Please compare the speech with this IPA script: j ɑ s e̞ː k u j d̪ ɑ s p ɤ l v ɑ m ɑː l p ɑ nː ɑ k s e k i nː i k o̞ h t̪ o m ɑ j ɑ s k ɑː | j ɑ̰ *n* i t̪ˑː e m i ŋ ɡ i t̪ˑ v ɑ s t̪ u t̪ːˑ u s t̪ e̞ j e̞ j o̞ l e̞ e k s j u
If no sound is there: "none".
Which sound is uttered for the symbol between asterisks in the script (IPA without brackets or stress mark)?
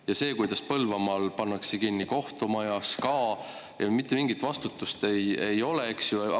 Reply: m